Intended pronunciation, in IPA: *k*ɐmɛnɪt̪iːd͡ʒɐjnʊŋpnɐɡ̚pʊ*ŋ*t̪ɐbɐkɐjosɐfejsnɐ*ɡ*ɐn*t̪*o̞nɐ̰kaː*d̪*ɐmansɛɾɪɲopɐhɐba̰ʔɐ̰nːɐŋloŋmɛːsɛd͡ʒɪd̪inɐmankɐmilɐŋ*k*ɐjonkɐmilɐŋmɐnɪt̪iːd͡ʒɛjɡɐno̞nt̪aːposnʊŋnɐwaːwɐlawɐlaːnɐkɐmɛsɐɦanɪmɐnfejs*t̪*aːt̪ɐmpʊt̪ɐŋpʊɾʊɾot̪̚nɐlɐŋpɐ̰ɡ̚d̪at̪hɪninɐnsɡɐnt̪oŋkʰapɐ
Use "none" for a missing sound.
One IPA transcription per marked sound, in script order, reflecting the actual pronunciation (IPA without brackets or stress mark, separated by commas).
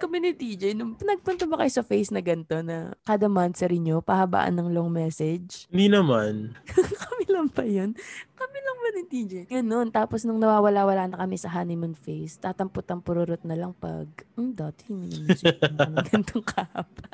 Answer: k, n, ɡ, t̪, d̪, p, t̪